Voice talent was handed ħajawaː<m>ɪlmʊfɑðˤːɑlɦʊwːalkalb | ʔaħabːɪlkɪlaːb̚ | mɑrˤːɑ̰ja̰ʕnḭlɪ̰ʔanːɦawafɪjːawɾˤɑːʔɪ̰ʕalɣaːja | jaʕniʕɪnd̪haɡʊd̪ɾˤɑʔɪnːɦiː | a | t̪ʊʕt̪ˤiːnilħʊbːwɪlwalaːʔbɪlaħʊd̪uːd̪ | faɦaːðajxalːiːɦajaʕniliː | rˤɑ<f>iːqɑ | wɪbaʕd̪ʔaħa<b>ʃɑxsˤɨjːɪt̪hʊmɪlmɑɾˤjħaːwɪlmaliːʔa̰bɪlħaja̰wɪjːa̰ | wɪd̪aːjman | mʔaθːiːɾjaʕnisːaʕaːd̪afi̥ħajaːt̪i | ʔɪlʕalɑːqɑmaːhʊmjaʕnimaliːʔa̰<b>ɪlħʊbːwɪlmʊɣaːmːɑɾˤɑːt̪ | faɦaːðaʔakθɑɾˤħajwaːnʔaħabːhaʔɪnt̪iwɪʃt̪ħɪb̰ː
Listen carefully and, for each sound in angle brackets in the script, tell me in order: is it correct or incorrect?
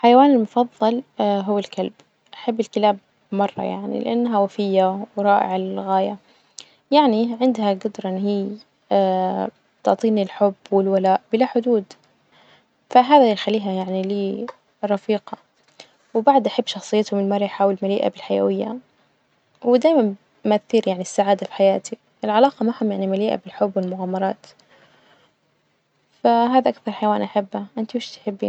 incorrect, correct, incorrect, correct

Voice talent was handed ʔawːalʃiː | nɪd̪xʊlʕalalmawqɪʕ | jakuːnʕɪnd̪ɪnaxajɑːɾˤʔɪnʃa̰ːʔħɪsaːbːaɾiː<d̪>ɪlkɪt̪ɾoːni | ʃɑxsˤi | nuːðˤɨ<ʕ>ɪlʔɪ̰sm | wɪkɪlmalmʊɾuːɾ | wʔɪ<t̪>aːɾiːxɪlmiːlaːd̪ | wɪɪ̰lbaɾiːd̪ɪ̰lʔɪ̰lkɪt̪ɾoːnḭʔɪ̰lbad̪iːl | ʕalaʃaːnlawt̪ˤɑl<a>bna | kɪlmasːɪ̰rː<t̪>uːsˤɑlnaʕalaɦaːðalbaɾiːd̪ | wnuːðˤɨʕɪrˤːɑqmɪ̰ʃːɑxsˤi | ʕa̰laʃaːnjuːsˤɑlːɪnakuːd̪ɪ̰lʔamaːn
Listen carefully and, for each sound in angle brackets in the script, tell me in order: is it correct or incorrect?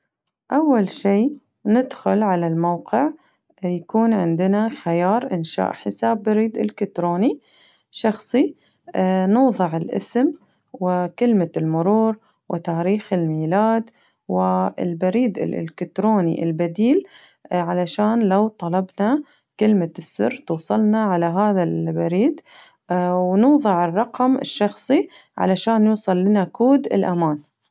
correct, correct, correct, incorrect, correct

